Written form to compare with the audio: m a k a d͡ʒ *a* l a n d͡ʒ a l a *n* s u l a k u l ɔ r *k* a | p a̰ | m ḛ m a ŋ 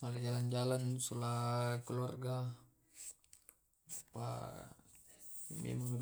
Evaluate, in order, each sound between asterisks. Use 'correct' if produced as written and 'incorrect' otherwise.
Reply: correct, correct, incorrect: ɡ

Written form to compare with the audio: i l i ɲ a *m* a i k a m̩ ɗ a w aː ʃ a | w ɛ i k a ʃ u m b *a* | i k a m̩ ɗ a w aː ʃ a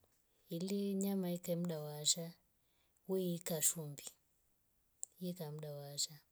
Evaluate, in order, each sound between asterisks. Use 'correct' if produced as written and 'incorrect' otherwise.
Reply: correct, incorrect: i

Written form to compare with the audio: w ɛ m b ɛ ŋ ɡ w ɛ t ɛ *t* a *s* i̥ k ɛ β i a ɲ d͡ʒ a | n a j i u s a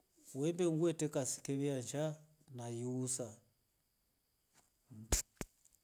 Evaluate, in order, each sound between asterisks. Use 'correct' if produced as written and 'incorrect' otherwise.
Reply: incorrect: k, correct

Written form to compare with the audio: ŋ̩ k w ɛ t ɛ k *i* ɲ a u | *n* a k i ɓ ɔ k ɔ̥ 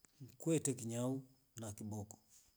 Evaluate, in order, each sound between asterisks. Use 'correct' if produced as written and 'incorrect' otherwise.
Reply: correct, correct

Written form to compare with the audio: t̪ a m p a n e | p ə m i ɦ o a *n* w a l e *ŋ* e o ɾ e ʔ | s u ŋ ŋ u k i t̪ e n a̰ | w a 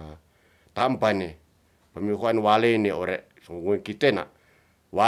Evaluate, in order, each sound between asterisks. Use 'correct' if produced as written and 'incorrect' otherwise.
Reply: correct, incorrect: n

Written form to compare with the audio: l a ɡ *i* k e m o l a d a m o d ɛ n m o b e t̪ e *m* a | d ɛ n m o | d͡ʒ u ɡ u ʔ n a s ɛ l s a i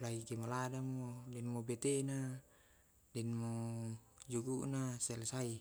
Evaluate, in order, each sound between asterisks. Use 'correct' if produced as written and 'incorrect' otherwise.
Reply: correct, incorrect: n

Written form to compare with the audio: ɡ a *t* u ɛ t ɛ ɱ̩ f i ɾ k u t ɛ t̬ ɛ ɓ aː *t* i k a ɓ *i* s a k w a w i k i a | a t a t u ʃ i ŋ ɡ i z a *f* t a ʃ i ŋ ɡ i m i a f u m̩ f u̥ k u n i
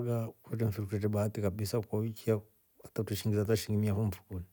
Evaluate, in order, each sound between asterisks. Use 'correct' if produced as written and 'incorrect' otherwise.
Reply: incorrect: k, correct, correct, incorrect: none

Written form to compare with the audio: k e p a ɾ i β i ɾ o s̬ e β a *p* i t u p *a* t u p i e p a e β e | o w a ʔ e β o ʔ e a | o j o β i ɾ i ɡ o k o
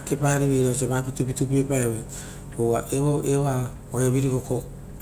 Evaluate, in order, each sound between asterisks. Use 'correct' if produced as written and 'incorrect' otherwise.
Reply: correct, incorrect: i

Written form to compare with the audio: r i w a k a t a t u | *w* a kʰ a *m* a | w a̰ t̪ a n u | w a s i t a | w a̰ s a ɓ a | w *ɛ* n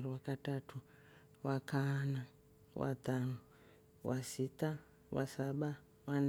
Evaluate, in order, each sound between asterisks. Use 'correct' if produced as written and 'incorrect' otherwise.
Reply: correct, incorrect: n, incorrect: a

